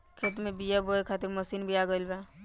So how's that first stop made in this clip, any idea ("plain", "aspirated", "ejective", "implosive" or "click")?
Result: aspirated